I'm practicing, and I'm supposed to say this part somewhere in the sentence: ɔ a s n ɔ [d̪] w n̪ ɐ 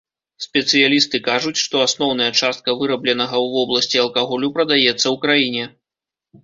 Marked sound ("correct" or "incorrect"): incorrect